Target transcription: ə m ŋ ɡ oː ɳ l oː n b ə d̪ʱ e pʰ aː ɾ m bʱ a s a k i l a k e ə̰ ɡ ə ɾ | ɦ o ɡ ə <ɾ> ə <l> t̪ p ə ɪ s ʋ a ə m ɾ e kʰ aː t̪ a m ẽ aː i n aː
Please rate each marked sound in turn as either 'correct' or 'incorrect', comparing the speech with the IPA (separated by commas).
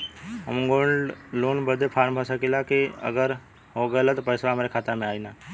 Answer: incorrect, incorrect